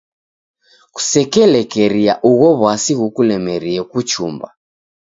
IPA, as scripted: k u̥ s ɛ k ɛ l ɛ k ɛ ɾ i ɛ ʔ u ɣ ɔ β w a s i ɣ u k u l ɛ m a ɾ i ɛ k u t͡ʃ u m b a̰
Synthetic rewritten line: k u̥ s ɛ k ɛ l ɛ k ɛ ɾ i a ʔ u ɣ ɔ β w a s i ɣ u k u l ɛ m ɛ ɾ i ɛ k u t͡ʃ u m b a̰